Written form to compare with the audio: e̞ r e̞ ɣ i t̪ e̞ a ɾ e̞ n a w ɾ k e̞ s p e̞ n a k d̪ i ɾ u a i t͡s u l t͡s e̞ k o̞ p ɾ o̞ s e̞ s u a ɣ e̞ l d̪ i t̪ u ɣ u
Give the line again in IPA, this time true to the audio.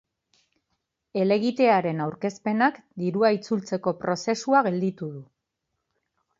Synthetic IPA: e̞ l e̞ ɣ i t̪ e̞ a ɾ e̞ n a w ɾ k e̞ s p e̞ n a k d̪ i ɾ u a i t͡s u l t͡s e̞ k o̞ p ɾ o̞ s e̞ s u a ɣ e̞ l d̪ i t̪ u ð u